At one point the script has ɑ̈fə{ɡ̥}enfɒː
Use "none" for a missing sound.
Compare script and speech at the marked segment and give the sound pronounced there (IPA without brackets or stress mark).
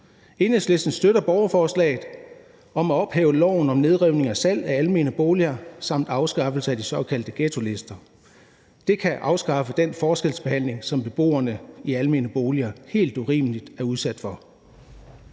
d̥